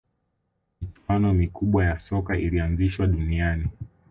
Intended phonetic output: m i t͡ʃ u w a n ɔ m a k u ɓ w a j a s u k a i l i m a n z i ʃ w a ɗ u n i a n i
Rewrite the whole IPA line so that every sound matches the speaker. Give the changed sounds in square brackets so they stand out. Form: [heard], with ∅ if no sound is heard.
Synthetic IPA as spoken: m i t͡ʃ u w a n ɔ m [i] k u ɓ w a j a s [ɔ] k a i l i [∅] a n z i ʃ w a ɗ u n i a n i

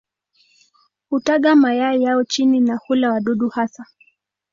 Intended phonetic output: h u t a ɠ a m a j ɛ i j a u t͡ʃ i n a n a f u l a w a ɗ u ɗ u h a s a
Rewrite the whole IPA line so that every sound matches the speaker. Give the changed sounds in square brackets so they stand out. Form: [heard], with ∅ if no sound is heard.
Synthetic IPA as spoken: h u t a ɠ a m a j [a] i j a [ɔ] t͡ʃ i n [i] n a [h] u l a w a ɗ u ɗ u h a s a

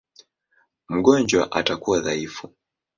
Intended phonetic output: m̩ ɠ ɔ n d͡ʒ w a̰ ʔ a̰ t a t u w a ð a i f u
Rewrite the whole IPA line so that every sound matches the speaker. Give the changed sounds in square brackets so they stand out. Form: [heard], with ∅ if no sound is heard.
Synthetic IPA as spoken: m̩ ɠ ɔ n d͡ʒ w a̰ ʔ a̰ t a [k] u w a ð a i f u

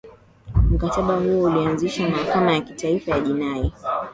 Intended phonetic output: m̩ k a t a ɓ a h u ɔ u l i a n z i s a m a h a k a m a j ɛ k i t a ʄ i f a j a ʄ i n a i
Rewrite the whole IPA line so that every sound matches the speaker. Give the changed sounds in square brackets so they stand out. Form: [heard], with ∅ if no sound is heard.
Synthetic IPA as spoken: m̩ k a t a ɓ a h u ɔ u l i a n z i [ʃ] a m a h a k a m a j [a] k i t a [∅] i f a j a ʄ i n a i

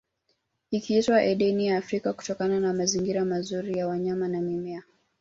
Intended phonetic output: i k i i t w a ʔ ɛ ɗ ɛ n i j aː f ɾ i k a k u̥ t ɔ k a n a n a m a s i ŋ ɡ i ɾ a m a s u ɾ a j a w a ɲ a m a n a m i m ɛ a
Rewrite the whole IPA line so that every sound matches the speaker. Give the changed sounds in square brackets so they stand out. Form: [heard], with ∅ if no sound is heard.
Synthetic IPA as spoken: i k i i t w a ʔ ɛ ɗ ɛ n i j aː f ɾ i k a k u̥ t ɔ k a n a n a m a [z] i ŋ ɡ i ɾ a m a [z] u ɾ [i] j a w a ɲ a m a n a m i m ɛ a

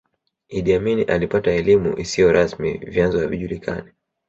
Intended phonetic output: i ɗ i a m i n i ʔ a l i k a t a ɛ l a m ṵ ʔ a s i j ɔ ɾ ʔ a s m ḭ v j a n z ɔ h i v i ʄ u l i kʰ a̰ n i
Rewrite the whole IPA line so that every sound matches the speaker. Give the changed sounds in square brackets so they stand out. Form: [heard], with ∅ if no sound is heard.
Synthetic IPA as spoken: i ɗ i a m i n i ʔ a l i [p] a t a ɛ l [i] m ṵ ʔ [i] s i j ɔ ɾ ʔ a s m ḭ v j a n z ɔ h [a] v i ʄ u l i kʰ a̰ n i

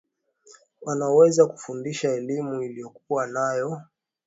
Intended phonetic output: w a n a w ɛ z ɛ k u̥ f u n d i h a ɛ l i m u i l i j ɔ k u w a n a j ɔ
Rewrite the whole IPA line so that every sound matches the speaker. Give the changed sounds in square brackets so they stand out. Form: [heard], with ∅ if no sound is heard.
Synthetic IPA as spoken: w a n a w ɛ z [a] k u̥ f u n d i [ʃ] a ɛ l i m u i l i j ɔ k u w a n a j ɔ

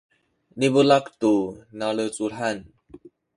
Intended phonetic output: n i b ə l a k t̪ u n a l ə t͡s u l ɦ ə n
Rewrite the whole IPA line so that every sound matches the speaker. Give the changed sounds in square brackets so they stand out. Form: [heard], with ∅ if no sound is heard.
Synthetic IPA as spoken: n i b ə l a k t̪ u n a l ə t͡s u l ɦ [a] n

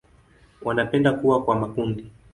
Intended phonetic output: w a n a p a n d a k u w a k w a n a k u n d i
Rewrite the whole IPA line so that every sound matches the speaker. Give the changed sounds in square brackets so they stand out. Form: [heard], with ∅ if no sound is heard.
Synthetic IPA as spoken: w a n a p [ɛ] n d a k u w a k w a [m] a k u n d i

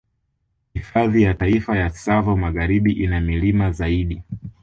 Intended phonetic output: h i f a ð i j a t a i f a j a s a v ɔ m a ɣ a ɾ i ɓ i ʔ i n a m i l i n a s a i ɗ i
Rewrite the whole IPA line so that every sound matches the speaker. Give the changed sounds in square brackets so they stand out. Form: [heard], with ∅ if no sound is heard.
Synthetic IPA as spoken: h i f a ð i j a t a i f a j a s a v ɔ m a ɣ a ɾ i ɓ i ʔ i n a m i l i [m] a [z] a i ɗ i

